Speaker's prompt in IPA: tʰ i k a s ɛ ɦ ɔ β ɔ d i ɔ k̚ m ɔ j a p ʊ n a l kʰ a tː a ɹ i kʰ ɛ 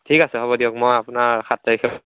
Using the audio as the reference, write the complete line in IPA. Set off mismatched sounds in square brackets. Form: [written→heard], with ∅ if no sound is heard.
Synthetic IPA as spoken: tʰ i k a s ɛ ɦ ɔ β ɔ d i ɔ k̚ m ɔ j a p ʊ n a [l→ɹ] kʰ a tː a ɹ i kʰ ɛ